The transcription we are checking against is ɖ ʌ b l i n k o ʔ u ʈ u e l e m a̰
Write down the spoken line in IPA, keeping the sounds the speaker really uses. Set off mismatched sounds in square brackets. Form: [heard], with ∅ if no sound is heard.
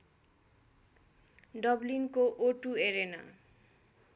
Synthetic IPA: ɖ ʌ b l i n k o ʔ [o] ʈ u e [ɾ] e [n] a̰

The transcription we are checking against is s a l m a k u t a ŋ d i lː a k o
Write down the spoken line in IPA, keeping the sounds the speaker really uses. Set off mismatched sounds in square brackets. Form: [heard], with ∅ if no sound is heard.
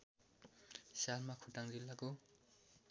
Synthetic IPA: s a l m a [kʰ] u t a ŋ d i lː a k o

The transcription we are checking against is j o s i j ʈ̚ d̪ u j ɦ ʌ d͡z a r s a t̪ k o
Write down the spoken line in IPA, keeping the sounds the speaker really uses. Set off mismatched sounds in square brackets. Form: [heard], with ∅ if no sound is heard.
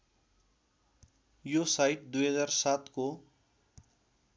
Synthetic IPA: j o s [a] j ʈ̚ d̪ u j ɦ ʌ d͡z a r s a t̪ k o

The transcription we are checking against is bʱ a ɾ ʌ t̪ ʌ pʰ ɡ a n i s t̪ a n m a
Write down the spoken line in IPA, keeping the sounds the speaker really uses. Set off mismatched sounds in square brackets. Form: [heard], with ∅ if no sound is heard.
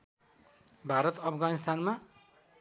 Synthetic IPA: bʱ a ɾ ʌ t̪ ʌ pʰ ɡ a n i s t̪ a n m a

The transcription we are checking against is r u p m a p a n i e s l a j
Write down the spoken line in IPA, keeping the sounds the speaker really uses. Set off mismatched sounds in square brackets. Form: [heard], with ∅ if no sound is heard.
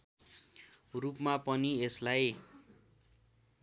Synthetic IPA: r u p m a p [ʌ] n i e s l a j

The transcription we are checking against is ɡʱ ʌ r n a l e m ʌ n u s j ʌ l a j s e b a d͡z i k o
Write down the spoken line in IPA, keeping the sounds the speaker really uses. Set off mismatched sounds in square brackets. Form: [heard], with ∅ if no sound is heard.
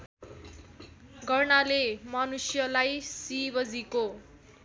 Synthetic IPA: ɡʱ ʌ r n a l e m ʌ n u s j ʌ l a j s [i] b [ʌ] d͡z i k o

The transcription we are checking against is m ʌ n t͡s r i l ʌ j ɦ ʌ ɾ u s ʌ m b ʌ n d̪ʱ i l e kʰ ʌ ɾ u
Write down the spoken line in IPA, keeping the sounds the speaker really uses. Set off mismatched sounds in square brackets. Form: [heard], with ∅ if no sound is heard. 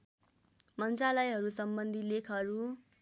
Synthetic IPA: m ʌ n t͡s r [a] l ʌ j ɦ ʌ ɾ u s ʌ m b ʌ n d̪ʱ i l e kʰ ʌ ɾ u

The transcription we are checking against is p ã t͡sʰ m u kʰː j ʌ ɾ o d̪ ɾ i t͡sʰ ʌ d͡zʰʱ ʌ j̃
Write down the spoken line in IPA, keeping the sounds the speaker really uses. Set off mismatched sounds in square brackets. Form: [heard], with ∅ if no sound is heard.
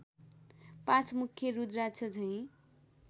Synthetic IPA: p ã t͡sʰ m u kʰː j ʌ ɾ [u] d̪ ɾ [a] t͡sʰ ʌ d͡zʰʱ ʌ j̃

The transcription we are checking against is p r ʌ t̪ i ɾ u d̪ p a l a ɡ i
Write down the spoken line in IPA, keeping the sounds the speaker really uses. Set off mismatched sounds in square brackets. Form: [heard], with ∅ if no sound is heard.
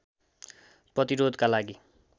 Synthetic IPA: p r ʌ t̪ i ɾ [o] d̪ [k] a l a ɡ i

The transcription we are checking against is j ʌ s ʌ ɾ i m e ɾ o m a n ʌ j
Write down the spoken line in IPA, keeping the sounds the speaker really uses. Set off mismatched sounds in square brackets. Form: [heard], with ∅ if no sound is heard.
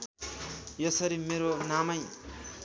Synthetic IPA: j ʌ s ʌ ɾ i m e ɾ o [n] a [m] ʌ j

